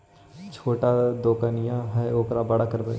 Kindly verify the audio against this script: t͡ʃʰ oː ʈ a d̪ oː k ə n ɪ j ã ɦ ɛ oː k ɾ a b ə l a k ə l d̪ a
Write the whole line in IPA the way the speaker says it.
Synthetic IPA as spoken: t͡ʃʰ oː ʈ a d̪ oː k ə n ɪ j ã ɦ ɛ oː k ɾ a b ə ɽ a k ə ɾ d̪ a